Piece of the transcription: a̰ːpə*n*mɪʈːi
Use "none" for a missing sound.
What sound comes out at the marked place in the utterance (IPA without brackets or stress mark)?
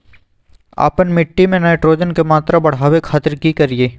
n